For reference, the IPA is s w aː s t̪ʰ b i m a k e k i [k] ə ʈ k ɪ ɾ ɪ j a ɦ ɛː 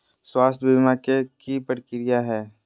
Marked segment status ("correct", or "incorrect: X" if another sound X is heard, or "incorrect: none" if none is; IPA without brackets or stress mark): incorrect: p